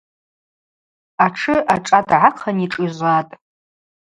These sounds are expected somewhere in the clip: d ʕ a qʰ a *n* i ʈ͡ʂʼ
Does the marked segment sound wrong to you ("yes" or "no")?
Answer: no